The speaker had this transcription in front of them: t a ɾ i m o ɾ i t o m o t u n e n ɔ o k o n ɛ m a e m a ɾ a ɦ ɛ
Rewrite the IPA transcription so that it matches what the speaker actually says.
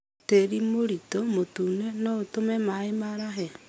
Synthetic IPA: t e ɾ i m o ɾ i t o m o t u n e n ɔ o t o m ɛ m a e m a ɾ a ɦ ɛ